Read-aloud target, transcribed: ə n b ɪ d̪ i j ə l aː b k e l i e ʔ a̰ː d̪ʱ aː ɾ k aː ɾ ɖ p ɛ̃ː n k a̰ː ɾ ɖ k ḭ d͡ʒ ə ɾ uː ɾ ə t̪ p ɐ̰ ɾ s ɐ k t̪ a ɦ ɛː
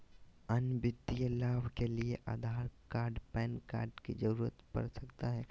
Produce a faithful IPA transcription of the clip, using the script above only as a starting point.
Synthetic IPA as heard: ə n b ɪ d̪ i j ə l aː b k e l i e ʔ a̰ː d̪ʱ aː ɾ k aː ɾ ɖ p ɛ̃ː n k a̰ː ɾ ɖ k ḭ d͡ʒ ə ɾ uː ɾ ə t̪ p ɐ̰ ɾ s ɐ k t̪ a ɦ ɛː